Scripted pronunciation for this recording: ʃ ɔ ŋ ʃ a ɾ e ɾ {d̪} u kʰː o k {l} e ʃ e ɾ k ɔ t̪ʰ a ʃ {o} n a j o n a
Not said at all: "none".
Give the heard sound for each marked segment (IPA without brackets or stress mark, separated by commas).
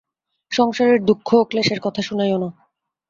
d̪, l, u